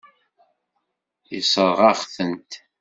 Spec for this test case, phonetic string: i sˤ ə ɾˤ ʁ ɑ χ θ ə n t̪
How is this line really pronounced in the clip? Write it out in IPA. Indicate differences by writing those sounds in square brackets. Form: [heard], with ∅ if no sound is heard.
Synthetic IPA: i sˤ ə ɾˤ ʁ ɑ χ θ ə n t̪